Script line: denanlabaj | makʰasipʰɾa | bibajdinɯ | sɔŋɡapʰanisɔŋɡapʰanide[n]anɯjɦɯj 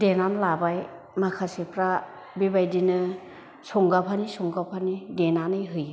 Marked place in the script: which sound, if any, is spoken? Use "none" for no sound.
n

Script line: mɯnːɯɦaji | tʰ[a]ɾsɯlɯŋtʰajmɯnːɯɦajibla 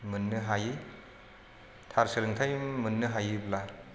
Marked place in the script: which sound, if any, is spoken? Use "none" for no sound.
a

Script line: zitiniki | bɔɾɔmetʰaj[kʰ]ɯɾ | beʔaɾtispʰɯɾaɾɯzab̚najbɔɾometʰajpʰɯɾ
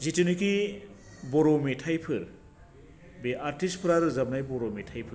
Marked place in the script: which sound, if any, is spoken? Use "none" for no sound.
pʰ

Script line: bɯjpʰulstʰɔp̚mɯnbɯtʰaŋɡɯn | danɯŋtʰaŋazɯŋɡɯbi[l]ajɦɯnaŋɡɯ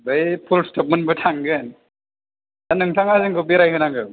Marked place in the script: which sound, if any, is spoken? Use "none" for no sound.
ɾ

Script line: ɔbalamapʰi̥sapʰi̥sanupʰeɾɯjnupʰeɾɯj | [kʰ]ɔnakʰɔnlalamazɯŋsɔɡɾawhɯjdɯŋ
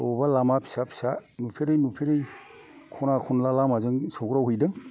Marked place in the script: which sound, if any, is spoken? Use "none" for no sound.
kʰ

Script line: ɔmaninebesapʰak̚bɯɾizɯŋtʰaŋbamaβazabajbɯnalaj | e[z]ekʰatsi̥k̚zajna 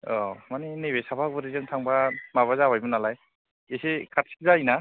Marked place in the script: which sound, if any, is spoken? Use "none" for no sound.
s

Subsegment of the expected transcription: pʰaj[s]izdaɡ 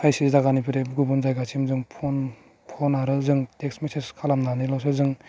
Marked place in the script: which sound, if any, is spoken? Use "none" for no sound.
s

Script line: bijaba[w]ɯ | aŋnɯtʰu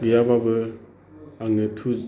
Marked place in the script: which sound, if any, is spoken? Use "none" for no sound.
b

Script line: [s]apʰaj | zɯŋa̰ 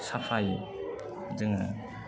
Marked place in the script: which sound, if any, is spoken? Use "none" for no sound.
s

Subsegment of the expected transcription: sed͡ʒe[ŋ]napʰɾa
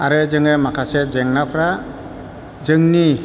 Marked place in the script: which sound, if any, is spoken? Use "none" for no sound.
ŋ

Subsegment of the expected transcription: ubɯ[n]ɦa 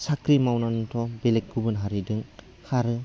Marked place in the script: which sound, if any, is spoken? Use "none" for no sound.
n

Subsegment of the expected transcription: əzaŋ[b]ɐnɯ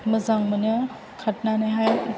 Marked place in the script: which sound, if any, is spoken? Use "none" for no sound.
m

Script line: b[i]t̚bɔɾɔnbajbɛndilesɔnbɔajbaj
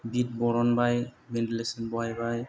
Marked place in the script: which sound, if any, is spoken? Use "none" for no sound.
i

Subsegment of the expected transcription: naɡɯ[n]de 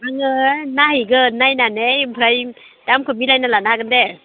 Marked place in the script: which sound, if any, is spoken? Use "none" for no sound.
n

